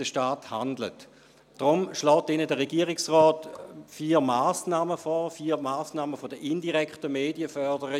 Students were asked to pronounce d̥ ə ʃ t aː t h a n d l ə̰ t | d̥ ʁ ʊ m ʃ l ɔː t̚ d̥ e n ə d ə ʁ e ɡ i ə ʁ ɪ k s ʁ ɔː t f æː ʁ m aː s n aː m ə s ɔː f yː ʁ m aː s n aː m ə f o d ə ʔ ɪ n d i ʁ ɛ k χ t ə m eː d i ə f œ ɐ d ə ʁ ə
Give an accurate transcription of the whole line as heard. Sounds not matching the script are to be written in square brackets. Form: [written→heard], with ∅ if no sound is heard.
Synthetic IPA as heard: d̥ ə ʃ t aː t h a n d l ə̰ t | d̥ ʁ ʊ m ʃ l ɔː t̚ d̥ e n ə d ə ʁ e ɡ i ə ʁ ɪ k s ʁ ɔː t f [æː→iː] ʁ m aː s n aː m ə [s→f] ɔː f [yː→iː] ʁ m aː s n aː m ə f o d ə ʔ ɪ n d i ʁ ɛ k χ t ə m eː d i ə f œ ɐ d ə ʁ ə